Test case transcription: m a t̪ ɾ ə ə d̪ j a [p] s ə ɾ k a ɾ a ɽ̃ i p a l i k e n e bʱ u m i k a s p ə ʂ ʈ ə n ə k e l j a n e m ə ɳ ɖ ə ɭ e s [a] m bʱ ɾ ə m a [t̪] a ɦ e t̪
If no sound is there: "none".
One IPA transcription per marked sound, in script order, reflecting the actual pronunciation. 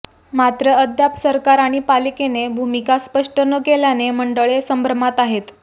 p, ə, t̪

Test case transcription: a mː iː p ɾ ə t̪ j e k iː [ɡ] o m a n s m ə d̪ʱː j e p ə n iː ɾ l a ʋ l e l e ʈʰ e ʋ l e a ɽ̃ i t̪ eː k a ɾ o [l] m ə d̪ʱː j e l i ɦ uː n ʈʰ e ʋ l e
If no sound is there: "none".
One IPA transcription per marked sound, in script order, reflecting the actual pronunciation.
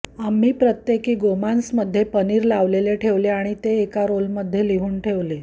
ɡ, l

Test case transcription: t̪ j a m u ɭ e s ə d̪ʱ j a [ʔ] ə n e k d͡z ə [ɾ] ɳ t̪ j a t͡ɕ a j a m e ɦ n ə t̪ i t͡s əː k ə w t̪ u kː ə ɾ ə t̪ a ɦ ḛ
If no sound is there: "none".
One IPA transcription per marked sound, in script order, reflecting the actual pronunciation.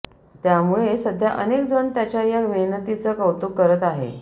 ʔ, none

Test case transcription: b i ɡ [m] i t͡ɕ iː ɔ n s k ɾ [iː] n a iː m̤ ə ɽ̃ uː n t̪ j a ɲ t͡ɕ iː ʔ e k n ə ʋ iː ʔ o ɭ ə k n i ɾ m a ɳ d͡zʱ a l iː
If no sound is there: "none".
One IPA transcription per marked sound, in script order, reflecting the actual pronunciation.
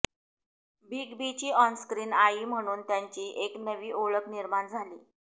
b, iː

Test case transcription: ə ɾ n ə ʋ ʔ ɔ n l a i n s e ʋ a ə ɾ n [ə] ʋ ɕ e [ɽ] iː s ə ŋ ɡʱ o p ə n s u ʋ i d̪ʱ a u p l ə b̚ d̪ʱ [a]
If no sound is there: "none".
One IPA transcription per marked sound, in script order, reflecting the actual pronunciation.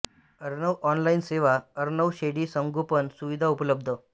ə, ɽ, ə

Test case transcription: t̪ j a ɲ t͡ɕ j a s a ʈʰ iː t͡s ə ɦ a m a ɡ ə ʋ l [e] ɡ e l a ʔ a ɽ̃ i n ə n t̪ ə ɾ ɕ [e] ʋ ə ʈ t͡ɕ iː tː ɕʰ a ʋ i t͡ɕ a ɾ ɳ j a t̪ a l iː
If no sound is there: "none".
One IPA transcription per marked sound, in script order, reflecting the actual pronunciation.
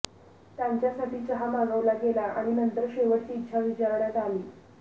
a, e

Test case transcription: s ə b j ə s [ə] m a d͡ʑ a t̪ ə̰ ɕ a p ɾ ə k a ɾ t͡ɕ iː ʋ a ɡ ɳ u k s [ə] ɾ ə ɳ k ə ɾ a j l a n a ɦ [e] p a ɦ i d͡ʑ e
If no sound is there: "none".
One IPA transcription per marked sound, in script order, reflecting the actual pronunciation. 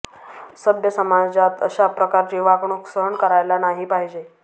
ə, ə, i

